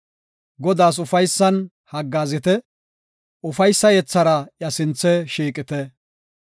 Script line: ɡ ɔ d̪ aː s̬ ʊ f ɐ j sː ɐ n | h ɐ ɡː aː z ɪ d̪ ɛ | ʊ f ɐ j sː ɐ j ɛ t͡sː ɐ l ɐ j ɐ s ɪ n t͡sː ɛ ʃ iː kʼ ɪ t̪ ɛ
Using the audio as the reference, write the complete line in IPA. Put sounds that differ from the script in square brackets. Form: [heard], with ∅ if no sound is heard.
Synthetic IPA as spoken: ɡ ɔ d̪ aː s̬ ʊ f ɐ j sː ɐ n | h ɐ ɡː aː z ɪ [t̪] ɛ | ʊ f ɐ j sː ɐ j ɛ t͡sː ɐ [ɾ] ɐ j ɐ s ɪ n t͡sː ɛ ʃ iː kʼ ɪ t̪ ɛ